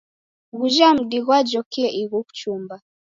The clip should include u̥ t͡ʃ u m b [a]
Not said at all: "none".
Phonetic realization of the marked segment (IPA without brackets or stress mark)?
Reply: a